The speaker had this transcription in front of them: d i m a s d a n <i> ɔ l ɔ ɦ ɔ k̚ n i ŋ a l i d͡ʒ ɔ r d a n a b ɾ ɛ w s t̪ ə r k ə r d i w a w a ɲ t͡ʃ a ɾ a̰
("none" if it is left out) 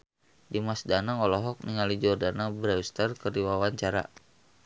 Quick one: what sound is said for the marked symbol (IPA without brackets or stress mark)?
a